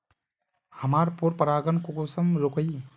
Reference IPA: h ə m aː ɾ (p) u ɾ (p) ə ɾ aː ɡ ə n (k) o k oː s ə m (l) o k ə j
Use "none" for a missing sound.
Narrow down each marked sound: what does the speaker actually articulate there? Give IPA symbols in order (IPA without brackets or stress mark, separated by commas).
p, p, k, ɾ